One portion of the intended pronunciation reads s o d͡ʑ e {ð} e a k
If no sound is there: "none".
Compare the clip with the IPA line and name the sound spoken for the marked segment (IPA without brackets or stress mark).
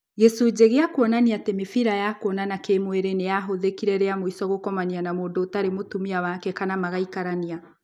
ɣ